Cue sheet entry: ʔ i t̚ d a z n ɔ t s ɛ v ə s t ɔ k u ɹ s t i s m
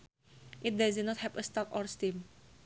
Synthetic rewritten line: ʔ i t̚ d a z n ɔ t h ɛ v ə s t ɔ k ɔ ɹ s t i m